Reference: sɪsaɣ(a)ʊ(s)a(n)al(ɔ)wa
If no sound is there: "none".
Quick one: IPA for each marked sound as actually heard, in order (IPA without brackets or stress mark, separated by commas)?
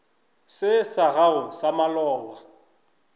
a, s, m, ɔː